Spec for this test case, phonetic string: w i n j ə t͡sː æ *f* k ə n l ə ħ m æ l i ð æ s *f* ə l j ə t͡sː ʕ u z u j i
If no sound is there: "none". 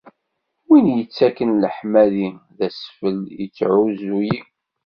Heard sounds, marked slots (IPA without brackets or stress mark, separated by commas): none, f